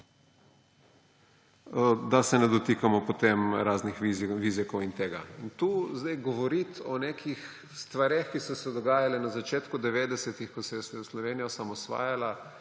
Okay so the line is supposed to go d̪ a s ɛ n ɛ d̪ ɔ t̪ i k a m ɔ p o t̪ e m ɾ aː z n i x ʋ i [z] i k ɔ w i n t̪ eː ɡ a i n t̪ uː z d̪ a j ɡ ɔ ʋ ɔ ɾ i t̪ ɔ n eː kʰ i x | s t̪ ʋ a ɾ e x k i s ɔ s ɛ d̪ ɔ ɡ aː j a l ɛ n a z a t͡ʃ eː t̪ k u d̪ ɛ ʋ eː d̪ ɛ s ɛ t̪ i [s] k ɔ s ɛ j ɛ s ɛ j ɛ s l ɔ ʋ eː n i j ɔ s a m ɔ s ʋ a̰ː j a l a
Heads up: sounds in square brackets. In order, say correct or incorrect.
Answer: correct, incorrect: x

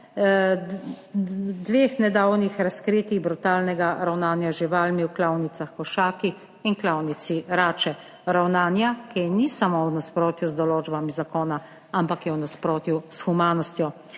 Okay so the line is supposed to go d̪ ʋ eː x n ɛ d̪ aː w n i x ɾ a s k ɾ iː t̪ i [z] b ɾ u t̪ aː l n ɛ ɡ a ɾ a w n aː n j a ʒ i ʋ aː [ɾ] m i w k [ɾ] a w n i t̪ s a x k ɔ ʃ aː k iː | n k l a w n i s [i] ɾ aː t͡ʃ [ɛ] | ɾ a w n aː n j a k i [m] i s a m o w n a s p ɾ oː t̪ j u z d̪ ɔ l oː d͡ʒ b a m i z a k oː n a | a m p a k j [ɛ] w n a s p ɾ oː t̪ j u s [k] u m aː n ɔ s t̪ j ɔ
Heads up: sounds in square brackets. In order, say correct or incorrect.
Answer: incorrect: ɣ, incorrect: l, incorrect: l, correct, correct, incorrect: n, correct, incorrect: x

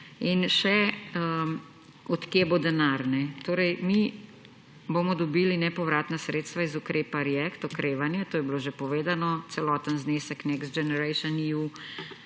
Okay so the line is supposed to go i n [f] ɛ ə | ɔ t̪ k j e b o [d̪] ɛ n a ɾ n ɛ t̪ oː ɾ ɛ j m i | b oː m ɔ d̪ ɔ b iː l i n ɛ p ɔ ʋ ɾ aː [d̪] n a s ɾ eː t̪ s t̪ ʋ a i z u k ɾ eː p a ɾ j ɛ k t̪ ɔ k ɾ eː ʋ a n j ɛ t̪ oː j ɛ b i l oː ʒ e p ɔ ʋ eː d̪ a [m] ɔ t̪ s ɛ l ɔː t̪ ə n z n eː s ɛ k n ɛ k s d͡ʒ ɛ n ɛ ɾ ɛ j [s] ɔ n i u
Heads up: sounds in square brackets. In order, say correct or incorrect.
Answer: incorrect: ʃ, correct, incorrect: t̪, incorrect: n, incorrect: ʃ

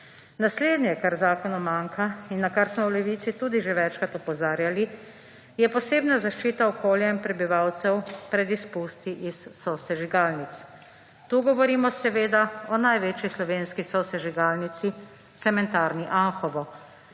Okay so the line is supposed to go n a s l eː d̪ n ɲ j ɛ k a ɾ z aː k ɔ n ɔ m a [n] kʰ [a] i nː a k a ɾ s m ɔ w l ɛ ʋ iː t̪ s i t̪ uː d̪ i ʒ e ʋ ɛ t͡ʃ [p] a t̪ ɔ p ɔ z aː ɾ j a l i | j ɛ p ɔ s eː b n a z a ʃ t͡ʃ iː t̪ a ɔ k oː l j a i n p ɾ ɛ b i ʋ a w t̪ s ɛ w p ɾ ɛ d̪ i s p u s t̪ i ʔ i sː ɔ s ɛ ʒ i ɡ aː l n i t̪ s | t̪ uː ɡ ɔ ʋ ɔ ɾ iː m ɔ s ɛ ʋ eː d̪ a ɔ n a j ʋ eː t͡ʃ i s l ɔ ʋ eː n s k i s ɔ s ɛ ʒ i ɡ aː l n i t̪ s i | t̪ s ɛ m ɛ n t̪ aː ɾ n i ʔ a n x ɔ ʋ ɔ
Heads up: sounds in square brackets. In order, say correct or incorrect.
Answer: incorrect: ŋ, correct, incorrect: k

